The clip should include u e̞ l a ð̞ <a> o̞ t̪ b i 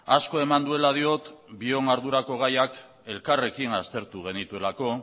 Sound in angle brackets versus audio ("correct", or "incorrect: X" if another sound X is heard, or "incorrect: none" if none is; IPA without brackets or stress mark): incorrect: i